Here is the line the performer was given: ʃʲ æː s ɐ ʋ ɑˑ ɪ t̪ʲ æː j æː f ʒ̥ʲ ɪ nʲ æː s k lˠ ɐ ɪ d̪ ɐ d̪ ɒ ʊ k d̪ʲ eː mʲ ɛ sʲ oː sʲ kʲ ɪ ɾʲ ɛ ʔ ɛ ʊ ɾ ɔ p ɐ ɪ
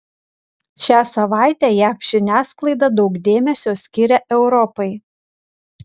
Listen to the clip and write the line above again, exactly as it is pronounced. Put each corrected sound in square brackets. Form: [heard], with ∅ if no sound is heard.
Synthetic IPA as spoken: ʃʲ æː s ɐ ʋ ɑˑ ɪ t̪ʲ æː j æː f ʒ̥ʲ ɪ nʲ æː s k lˠ ɐ ɪ d̪ ɐ d̪ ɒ ʊ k d̪ʲ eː mʲ ɛ sʲ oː sʲ kʲ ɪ ɾʲ ɛ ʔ ɛ ʊ ɾ ɔ p ɐ ɪ

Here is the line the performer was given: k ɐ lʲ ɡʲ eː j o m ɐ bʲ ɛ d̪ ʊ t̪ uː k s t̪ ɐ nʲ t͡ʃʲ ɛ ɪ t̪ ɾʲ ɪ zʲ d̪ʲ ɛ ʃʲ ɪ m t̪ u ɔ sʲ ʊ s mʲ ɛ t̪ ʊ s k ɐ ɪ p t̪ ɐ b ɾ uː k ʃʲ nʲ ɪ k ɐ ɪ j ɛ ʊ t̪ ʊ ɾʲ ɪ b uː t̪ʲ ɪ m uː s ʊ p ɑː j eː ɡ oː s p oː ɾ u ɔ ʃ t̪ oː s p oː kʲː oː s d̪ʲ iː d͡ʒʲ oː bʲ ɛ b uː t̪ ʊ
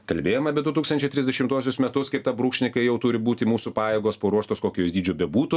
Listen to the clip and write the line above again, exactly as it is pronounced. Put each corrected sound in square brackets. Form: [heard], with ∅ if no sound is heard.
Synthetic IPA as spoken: k ɐ lʲ [bʲ] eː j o m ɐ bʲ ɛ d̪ ʊ t̪ uː k s t̪ ɐ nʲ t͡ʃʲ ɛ ɪ t̪ ɾʲ ɪ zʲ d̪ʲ ɛ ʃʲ ɪ m t̪ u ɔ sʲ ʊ s mʲ ɛ t̪ ʊ s k ɐ ɪ p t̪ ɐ b ɾ uː k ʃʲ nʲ ɪ k ɐ ɪ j ɛ ʊ t̪ ʊ ɾʲ ɪ b uː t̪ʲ ɪ m uː s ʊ p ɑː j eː ɡ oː s p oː ɾ u ɔ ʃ t̪ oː s [k] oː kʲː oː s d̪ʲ iː d͡ʒʲ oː bʲ ɛ b uː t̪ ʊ

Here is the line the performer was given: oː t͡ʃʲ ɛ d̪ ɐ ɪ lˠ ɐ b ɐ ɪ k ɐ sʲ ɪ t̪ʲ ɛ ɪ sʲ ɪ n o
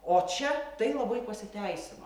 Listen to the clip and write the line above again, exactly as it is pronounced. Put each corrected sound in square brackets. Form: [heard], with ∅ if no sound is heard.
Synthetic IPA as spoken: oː t͡ʃʲ ɛ [t̪] ɐ ɪ lˠ ɐ b ɐ ɪ [p] ɐ sʲ ɪ t̪ʲ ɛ ɪ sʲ ɪ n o

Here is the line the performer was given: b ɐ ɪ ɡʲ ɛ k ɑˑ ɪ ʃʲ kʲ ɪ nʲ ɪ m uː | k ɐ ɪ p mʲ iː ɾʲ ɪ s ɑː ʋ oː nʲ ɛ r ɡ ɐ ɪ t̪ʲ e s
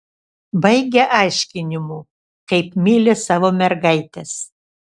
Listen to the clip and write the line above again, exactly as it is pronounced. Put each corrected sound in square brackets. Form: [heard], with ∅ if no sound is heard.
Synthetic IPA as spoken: b ɐ ɪ ɡʲ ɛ [ʔ] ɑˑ ɪ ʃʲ kʲ ɪ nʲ ɪ m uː | k ɐ ɪ p mʲ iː [lʲ] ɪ s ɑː ʋ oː [mʲ] ɛ [ɾ] ɡ ɐ ɪ t̪ʲ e s

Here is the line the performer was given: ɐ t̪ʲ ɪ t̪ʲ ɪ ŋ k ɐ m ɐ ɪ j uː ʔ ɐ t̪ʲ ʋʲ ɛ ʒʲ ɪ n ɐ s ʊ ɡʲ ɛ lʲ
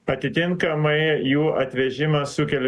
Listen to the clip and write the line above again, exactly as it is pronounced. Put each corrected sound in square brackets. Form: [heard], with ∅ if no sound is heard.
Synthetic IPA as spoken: ɐ t̪ʲ ɪ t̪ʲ ɪ ŋ k ɐ m ɐ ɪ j uː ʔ ɐ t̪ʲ ʋʲ ɛ ʒʲ ɪ [m] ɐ s ʊ [kʲ] ɛ lʲ

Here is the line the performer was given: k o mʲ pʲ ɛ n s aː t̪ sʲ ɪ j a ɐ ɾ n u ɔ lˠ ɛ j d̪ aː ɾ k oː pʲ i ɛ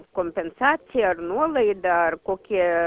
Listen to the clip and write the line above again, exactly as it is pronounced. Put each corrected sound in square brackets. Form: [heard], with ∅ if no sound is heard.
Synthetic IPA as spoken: k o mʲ pʲ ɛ n s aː t̪ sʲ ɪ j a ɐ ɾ n u ɔ lˠ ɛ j d̪ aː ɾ k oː [kʲ] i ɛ

